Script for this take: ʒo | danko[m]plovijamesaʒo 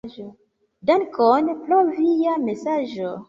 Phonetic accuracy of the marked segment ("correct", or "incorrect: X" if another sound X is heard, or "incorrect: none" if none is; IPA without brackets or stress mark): incorrect: n